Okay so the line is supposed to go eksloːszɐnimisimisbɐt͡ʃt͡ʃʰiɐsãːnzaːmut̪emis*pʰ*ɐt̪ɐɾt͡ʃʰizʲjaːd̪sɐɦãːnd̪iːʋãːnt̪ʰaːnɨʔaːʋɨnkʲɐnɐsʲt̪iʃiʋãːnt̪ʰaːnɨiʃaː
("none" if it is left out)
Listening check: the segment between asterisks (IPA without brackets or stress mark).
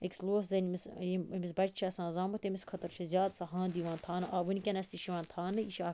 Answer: kʰ